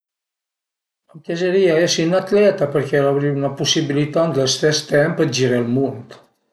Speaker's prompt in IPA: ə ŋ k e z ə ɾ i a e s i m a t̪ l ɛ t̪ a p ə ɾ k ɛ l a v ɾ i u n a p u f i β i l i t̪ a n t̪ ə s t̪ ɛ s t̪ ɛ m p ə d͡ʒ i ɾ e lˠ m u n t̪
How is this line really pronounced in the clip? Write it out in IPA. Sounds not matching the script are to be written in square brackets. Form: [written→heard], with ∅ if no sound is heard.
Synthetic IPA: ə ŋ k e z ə ɾ i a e s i [m→n] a t̪ l ɛ t̪ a p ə ɾ k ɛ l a [v→β] ɾ i u n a p u [f→s] i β i l i t̪ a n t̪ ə s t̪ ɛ s t̪ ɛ m p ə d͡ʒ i ɾ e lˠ m u n t̪